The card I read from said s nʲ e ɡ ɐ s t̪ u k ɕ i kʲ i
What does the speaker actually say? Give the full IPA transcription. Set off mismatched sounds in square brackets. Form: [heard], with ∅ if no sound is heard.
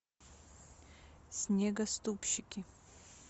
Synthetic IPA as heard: s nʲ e ɡ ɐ s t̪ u [p] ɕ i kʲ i